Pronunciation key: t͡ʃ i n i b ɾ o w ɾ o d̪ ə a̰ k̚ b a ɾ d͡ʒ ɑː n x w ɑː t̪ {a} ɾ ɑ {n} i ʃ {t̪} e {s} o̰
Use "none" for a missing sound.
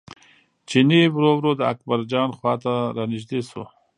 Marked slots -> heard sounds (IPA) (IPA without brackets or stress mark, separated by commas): a, n, d̪, s